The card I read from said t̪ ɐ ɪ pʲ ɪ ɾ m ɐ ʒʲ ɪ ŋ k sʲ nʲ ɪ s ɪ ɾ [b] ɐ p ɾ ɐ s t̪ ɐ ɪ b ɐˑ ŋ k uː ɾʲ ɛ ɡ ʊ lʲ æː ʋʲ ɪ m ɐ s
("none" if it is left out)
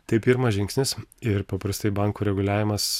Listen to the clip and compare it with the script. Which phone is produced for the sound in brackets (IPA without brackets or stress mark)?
p